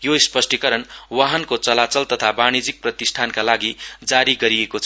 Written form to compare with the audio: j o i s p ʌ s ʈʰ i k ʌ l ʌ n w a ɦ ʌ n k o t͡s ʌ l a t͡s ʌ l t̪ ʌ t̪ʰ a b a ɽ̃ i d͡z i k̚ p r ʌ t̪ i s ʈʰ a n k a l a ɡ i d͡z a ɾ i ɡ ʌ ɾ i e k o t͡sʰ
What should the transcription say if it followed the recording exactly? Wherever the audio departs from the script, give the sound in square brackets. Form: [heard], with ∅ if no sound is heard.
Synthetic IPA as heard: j o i s p ʌ s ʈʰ i k ʌ [ɾ] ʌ n w a ɦ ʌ n k o t͡s ʌ l a t͡s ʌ l t̪ ʌ t̪ʰ a b a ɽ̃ i d͡z i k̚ p r ʌ t̪ i s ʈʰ a n k a l a ɡ i d͡z a ɾ i ɡ ʌ ɾ i e k o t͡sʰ